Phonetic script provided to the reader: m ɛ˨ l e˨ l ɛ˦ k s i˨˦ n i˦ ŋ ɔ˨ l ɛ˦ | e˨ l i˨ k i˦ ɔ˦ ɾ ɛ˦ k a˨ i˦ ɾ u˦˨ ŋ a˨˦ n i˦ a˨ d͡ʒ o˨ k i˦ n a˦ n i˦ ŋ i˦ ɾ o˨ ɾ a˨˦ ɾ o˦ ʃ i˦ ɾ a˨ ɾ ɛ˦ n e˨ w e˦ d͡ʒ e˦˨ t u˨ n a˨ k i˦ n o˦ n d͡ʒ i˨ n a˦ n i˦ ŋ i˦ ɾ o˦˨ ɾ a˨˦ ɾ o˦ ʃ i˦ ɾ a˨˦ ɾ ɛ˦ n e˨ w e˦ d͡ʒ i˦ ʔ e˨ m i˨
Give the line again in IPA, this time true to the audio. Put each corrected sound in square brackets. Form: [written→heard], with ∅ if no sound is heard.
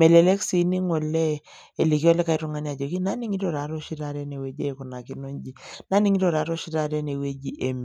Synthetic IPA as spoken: m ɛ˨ l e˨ l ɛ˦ k s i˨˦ n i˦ ŋ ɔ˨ l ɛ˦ | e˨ l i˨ k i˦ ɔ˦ [ɾ→l] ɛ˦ k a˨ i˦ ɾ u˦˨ ŋ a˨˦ n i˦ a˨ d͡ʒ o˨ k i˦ n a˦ n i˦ ŋ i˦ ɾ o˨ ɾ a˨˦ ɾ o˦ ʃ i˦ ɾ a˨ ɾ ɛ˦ n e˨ w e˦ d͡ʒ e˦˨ [t→k] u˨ n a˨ k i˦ n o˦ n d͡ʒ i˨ n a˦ n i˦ ŋ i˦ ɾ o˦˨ ɾ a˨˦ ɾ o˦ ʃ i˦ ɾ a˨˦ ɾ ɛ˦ n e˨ w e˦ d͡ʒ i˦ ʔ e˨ m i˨